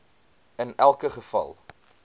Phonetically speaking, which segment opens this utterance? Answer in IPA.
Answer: ə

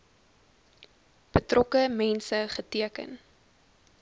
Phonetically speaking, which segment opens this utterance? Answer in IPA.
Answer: b̥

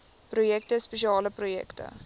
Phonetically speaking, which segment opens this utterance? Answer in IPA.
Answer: p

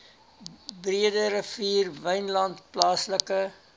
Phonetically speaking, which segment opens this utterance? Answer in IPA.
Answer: b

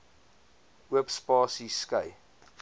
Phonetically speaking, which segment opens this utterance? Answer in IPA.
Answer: u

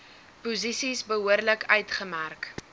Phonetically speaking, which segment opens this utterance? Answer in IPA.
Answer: p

